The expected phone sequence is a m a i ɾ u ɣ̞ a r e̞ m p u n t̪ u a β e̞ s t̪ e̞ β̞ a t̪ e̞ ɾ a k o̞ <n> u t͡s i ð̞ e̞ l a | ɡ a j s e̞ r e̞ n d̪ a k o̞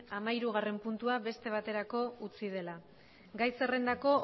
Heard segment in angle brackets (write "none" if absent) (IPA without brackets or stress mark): none